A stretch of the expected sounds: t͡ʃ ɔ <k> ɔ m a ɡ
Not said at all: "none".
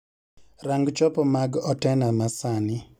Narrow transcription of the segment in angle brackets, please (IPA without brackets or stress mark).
p